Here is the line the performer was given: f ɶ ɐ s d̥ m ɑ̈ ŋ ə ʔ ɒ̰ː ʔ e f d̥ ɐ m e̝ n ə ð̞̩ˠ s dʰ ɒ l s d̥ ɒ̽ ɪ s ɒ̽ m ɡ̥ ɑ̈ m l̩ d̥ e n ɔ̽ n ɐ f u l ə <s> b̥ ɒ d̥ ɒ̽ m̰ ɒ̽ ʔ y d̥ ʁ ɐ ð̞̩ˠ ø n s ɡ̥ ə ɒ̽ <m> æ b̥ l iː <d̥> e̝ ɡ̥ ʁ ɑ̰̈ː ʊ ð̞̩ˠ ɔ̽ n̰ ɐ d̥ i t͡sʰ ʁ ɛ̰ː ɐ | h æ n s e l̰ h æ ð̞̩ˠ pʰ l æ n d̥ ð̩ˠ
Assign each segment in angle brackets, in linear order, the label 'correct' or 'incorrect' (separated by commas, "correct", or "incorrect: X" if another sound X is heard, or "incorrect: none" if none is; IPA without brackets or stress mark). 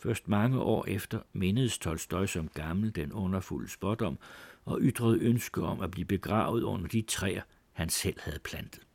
correct, correct, incorrect: b̥